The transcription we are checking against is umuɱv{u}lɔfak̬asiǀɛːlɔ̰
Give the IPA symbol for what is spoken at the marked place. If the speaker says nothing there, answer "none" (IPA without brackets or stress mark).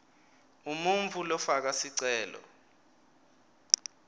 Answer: u